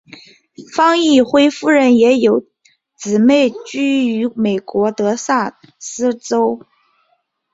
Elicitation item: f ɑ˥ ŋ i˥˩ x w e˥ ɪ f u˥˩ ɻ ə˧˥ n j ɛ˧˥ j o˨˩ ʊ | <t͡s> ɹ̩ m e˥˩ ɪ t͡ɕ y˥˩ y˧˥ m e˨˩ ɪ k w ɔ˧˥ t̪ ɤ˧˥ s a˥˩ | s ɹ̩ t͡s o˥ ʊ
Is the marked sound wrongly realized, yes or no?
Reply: no